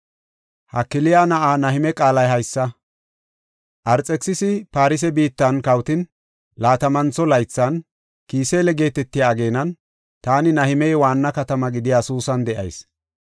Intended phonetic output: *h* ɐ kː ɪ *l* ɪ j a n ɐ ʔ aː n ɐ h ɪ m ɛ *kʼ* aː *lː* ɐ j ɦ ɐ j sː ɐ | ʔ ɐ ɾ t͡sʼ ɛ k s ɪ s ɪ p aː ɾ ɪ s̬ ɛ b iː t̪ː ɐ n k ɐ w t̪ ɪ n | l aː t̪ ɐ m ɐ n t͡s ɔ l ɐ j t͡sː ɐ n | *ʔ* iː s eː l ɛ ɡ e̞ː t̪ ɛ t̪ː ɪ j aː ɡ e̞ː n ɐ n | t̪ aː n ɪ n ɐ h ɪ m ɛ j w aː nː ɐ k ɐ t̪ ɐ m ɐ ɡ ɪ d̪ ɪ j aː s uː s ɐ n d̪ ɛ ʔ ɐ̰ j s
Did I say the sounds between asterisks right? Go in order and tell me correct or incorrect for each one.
correct, correct, correct, incorrect, incorrect

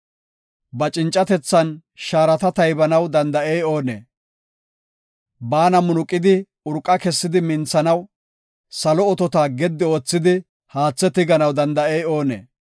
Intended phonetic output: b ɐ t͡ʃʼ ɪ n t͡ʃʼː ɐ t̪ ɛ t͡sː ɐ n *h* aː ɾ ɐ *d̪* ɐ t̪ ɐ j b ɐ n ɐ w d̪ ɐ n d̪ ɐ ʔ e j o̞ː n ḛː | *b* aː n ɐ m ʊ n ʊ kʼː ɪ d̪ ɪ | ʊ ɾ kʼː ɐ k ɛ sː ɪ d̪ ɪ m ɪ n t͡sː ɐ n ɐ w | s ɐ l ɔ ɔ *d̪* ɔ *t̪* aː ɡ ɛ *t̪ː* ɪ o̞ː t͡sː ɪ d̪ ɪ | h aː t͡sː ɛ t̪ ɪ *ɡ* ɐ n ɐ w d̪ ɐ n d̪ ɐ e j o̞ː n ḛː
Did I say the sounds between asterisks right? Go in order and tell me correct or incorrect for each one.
incorrect, incorrect, correct, incorrect, correct, incorrect, correct

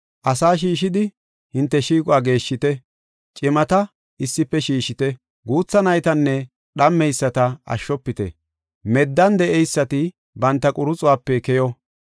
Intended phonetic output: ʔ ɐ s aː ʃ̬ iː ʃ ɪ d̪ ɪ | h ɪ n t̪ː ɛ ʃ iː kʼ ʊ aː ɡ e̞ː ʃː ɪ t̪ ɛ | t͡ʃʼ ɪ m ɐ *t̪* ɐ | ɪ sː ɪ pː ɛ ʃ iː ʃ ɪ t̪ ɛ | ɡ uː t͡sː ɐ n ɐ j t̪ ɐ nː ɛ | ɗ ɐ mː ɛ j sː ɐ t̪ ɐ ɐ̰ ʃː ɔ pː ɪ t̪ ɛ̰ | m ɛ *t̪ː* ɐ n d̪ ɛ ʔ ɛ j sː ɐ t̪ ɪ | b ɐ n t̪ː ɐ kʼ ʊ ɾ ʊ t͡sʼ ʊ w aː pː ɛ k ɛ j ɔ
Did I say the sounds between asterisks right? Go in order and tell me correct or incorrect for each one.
correct, incorrect

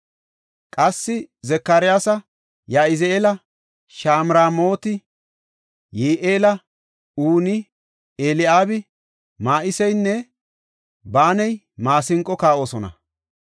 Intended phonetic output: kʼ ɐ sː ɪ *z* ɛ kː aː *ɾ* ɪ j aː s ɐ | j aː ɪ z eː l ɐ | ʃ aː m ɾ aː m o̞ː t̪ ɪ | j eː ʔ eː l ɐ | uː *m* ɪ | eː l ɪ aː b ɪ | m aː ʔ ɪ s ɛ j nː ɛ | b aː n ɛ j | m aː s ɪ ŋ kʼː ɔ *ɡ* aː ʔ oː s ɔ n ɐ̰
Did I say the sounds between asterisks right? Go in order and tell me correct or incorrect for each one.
correct, correct, incorrect, incorrect

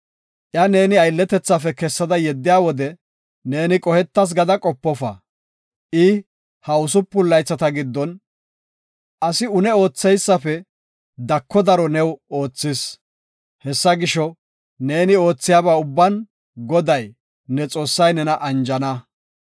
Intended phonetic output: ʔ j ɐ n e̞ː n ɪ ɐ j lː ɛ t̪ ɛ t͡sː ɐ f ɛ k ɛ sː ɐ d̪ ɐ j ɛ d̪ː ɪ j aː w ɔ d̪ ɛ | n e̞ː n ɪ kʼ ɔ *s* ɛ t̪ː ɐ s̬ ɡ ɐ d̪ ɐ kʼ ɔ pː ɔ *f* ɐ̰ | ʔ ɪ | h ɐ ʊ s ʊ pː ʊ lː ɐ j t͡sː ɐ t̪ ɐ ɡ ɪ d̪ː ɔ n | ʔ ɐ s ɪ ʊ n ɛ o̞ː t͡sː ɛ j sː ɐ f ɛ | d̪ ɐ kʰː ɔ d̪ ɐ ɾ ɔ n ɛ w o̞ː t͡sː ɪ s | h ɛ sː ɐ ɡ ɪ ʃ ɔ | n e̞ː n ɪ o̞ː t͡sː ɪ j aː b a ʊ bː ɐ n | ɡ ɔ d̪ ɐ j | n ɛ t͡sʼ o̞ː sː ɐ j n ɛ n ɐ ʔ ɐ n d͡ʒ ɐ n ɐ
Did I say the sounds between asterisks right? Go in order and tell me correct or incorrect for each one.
incorrect, correct

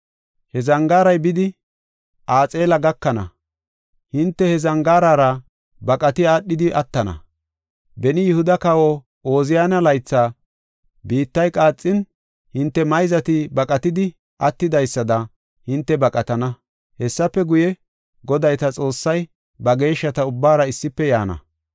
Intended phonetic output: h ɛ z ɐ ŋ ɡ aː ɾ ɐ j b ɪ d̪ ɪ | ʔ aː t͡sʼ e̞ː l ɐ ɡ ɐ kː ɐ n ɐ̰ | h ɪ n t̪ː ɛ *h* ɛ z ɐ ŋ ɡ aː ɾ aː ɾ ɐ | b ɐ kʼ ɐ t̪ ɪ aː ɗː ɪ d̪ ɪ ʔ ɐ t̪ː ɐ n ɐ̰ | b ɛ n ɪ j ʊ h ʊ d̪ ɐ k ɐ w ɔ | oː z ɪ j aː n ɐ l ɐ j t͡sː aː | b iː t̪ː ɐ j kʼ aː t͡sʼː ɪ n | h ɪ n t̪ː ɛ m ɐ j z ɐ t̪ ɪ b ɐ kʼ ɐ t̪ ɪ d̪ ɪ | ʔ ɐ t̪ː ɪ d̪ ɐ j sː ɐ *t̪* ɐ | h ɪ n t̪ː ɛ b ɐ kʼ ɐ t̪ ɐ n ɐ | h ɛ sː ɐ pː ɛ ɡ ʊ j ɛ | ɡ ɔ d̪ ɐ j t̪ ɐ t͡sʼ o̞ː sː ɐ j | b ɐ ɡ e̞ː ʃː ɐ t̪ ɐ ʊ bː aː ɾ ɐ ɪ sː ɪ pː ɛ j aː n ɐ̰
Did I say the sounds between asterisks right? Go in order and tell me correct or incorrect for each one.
correct, incorrect

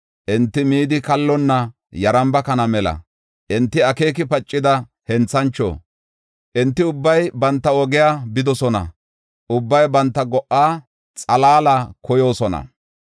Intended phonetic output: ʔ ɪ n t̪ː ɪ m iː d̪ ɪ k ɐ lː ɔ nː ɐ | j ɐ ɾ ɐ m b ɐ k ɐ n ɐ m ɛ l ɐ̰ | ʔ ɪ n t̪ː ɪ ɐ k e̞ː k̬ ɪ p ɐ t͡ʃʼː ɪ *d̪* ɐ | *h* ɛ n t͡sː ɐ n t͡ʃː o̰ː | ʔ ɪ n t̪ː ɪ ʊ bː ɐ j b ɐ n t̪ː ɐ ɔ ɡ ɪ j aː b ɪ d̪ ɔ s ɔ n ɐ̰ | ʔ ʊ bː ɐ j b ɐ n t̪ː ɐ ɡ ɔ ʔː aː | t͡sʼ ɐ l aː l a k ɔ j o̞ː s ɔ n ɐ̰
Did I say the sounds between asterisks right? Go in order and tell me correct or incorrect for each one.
correct, correct

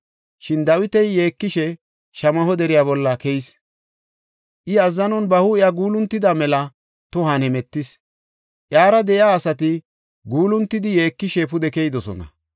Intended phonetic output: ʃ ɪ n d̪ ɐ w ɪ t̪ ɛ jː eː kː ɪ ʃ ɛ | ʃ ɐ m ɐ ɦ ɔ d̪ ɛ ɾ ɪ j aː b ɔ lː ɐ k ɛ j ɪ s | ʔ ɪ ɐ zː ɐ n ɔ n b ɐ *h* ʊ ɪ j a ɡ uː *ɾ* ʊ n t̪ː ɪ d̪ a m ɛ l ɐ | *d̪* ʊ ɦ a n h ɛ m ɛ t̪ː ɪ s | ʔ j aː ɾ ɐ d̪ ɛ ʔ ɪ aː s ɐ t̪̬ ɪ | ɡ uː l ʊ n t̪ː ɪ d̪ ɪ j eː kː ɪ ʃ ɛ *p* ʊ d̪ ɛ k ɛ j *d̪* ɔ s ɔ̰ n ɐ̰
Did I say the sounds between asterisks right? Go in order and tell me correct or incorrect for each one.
correct, incorrect, incorrect, correct, correct

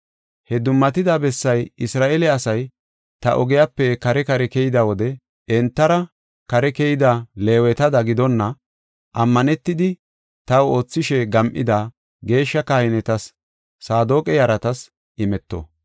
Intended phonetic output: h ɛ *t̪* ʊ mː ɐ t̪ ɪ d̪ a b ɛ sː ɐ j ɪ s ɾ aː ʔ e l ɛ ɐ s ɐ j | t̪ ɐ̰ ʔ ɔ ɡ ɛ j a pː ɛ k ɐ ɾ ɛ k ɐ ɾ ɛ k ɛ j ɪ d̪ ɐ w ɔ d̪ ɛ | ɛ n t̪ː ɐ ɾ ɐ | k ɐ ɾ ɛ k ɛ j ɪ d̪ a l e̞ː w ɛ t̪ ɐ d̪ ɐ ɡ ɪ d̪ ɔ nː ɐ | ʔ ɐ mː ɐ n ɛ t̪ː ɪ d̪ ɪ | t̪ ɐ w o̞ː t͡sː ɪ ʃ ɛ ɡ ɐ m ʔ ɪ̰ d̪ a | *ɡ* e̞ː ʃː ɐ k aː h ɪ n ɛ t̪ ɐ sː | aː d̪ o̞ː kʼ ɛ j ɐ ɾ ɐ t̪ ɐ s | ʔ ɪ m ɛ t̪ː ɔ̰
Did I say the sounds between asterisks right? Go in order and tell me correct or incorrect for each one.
incorrect, correct

